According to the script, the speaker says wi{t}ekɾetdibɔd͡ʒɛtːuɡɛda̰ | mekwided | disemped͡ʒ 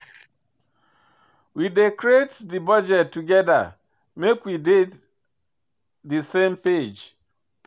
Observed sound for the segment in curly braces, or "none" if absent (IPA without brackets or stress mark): d